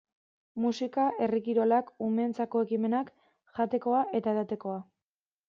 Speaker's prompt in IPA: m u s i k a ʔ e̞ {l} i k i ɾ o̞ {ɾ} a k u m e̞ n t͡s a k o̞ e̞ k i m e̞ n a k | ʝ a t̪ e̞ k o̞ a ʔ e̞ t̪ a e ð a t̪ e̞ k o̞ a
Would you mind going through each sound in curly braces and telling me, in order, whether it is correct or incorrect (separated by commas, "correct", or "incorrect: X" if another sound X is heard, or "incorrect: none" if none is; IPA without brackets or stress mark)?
incorrect: r, incorrect: l